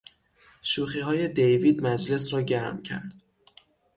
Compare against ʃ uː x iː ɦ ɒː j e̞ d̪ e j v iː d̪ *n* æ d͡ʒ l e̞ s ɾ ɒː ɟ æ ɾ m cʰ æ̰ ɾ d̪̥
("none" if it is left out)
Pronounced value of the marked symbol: m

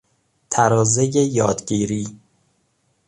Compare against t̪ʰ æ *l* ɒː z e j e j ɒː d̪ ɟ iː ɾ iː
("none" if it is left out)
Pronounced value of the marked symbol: ɾ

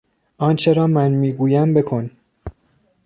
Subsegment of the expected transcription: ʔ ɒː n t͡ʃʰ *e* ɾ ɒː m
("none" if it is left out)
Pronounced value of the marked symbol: e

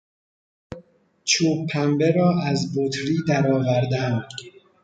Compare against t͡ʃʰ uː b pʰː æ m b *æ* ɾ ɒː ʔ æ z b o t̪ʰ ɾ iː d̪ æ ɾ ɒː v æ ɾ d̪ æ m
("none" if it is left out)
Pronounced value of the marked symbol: e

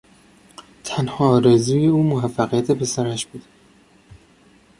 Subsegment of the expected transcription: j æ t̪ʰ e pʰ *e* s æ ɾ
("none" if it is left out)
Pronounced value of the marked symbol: e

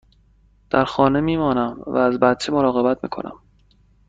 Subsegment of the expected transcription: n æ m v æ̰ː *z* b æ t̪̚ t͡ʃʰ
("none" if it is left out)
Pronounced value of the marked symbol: z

